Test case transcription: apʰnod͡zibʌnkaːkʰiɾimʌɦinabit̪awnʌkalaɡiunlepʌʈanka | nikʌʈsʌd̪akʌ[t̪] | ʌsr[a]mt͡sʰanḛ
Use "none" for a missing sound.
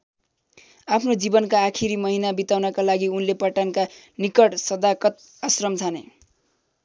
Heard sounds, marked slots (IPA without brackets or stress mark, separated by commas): t̪, ʌ